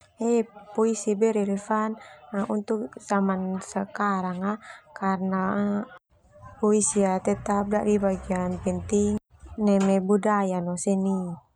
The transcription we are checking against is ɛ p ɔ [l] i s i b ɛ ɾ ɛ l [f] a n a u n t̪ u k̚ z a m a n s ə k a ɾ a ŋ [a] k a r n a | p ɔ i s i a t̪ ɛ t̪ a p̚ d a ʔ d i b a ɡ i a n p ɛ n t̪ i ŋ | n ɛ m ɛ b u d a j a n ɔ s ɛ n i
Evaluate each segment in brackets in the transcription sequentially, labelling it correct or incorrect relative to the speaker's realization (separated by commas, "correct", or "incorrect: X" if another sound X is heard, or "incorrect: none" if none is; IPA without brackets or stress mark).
incorrect: none, correct, correct